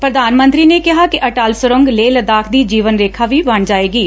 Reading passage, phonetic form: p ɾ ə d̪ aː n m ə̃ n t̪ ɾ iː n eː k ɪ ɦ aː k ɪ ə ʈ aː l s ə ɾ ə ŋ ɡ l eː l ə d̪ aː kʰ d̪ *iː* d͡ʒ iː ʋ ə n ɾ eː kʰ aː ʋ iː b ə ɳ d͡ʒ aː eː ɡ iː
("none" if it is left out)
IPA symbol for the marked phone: iː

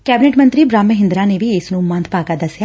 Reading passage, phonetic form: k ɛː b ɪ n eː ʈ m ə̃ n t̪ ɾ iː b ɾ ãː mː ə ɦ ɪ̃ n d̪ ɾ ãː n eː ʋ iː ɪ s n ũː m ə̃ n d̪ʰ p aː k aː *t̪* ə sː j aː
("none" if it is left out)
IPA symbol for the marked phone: d̪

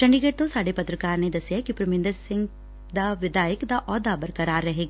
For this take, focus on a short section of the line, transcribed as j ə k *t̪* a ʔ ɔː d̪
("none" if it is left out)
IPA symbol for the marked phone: d̪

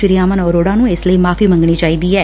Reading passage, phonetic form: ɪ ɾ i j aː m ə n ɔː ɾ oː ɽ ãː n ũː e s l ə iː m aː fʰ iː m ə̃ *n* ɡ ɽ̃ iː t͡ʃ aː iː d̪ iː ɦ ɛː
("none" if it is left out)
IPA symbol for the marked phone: ŋ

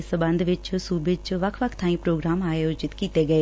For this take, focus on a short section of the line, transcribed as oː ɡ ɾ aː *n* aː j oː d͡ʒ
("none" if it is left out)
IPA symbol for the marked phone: m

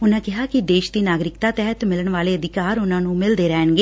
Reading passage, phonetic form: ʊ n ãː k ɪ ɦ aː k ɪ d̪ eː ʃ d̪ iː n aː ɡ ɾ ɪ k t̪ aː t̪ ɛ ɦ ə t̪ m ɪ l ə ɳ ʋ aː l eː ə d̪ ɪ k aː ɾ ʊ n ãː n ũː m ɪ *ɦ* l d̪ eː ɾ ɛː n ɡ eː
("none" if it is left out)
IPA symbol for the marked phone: none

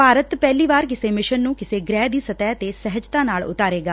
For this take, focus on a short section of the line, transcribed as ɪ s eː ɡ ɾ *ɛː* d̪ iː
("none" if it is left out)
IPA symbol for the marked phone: ɛː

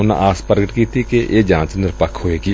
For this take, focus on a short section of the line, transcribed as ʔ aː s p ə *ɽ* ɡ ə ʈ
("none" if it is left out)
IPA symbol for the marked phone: ɾ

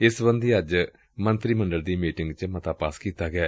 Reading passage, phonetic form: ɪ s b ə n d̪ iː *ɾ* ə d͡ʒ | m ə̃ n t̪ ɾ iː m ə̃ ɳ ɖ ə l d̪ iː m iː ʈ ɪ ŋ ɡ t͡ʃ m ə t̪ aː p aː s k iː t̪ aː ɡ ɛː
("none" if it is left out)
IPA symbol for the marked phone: none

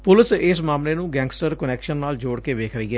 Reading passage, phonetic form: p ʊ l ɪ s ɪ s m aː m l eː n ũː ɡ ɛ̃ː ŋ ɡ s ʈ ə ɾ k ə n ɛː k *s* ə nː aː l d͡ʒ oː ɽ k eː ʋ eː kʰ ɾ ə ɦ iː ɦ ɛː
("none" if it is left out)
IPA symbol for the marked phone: ʃ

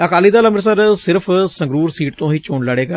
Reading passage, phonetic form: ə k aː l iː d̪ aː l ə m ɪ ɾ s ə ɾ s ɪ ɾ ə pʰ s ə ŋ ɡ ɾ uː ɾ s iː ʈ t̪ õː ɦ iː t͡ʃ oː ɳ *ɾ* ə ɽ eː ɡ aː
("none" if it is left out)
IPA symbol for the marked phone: l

